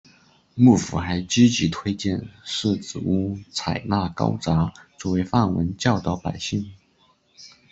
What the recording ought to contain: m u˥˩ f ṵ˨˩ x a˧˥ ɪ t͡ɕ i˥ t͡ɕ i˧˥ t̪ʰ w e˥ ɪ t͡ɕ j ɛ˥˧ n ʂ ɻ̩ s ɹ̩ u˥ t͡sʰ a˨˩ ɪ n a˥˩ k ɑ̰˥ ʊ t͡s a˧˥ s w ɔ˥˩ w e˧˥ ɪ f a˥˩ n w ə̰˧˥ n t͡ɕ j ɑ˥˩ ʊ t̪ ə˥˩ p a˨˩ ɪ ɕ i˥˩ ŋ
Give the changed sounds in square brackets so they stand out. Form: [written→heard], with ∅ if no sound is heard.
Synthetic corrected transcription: m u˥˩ f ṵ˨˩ x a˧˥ ɪ t͡ɕ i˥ t͡ɕ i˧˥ t̪ʰ w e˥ ɪ t͡ɕ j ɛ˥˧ n ʂ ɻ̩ [s→t͡s] ɹ̩ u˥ t͡sʰ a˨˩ ɪ n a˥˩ k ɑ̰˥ ʊ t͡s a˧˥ [s→t͡s] w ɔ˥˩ w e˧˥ ɪ f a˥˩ n w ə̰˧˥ n t͡ɕ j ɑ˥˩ ʊ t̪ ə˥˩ p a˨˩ ɪ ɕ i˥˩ ŋ

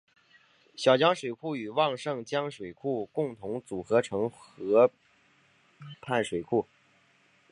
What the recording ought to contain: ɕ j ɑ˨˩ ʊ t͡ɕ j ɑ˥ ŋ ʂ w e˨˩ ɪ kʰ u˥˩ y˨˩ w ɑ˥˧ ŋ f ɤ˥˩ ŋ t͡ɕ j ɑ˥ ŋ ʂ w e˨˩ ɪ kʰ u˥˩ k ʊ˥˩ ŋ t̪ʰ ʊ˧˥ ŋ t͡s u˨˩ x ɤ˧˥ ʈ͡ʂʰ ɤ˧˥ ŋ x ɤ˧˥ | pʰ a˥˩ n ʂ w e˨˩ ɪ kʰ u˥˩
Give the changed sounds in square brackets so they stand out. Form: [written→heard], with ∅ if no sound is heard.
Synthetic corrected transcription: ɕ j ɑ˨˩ ʊ t͡ɕ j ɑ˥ ŋ ʂ w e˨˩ ɪ kʰ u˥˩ y˨˩ w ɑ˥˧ ŋ [f→ʂ] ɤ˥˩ ŋ t͡ɕ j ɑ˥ ŋ ʂ w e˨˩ ɪ kʰ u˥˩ k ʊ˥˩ ŋ t̪ʰ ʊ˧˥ ŋ t͡s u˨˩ x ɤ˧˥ ʈ͡ʂʰ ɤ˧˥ ŋ x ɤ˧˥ | pʰ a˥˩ n ʂ w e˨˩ ɪ kʰ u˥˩

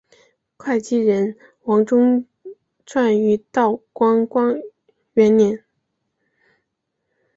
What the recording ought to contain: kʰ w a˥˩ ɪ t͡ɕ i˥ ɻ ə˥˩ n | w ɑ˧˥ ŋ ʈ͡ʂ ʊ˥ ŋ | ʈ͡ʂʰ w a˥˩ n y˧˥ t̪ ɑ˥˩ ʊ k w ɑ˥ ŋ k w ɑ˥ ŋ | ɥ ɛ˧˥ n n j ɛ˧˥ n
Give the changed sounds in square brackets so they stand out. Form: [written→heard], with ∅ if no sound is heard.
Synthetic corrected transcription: kʰ w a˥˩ ɪ t͡ɕ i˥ ɻ [ə˥˩→ə˧˥] n | w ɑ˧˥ ŋ ʈ͡ʂ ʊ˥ ŋ | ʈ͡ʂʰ w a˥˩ n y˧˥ t̪ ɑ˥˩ ʊ k w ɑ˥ ŋ k w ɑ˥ ŋ | ɥ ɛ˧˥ n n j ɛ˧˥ n

